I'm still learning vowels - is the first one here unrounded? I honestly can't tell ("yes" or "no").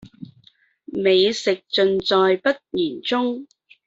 yes